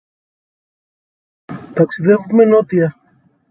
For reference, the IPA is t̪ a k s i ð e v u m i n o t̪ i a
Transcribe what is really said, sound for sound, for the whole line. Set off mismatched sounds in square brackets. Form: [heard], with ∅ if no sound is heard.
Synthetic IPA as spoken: t̪ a k s i ð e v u m [e] n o t̪ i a

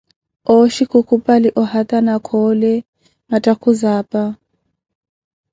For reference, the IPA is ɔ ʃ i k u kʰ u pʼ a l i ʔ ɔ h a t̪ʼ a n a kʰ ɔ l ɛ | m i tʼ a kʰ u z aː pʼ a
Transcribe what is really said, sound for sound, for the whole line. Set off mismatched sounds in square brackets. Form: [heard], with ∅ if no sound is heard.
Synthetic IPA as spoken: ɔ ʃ i k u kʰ u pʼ a l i ʔ ɔ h a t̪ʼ a n a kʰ ɔ l ɛ | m [a] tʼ a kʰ u z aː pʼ a

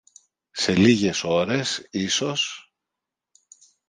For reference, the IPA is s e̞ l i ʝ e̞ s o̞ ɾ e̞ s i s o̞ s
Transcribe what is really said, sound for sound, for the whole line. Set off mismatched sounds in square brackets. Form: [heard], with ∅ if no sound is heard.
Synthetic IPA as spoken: s e̞ l i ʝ e̞ s o̞ ɾ e̞ s i s o̞ s

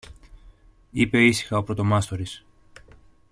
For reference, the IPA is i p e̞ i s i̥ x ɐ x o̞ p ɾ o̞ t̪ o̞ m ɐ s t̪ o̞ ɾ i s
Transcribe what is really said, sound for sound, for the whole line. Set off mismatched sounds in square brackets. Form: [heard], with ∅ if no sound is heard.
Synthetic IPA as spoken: i p e̞ i s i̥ x ɐ [∅] o̞ p ɾ o̞ t̪ o̞ m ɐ s t̪ o̞ ɾ i s

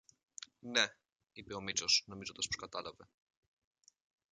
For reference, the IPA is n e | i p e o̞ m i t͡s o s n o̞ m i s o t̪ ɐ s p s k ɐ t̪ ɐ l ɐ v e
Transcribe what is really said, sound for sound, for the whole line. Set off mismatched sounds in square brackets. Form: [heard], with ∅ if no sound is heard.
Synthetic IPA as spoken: n e | i p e o̞ m i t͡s o s n o̞ m i [z] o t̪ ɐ s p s k ɐ t̪ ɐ l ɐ v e

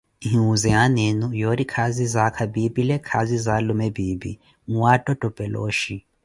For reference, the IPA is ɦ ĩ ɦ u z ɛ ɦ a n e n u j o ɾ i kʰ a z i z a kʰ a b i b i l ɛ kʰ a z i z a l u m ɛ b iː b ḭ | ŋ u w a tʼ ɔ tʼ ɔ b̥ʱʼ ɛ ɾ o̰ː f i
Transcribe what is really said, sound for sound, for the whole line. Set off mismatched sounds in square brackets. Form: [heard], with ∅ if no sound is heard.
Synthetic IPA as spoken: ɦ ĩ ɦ u z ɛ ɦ a n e n u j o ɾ i kʰ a z i z a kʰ a b i b i l ɛ kʰ a z i z a l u m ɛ b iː b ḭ | ŋ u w a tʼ ɔ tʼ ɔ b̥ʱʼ ɛ [l] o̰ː [ʃ] i

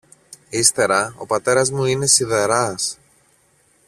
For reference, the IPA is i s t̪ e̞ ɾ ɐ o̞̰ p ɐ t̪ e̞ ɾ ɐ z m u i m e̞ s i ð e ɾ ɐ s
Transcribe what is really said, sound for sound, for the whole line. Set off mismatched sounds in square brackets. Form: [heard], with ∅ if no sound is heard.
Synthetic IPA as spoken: i s t̪ e̞ ɾ ɐ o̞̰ p ɐ t̪ e̞ ɾ ɐ z m u i [n] e̞ s i ð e ɾ ɐ s

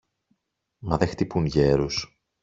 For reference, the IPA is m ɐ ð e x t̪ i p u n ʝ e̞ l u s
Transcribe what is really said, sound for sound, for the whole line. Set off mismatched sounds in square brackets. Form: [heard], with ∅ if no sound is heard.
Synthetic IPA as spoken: m ɐ ð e x t̪ i p u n ʝ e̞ [ɾ] u s

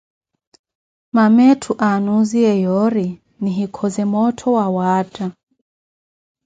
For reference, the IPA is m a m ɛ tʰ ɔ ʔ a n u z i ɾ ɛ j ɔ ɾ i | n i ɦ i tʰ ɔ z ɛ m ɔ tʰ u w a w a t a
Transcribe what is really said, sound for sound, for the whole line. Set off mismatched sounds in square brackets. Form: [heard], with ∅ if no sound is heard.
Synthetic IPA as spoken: m a m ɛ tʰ [u] ʔ a n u z i [∅] ɛ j ɔ ɾ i | n i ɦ i [kʰ] ɔ z ɛ m ɔ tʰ [ɔ] w a w a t a

